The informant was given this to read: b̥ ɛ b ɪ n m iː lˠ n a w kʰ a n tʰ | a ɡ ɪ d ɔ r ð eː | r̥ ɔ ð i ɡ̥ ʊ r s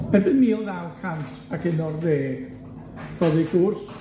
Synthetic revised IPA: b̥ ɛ b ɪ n m iː lˠ n a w kʰ a n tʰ | a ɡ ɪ n ɔ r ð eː | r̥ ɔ ð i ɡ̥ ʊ r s